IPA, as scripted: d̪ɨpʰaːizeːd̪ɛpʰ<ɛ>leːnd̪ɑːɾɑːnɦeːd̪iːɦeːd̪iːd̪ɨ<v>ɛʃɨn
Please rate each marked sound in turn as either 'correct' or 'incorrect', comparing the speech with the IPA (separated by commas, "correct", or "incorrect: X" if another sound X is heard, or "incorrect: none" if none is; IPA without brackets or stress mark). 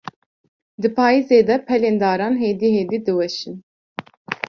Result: correct, incorrect: w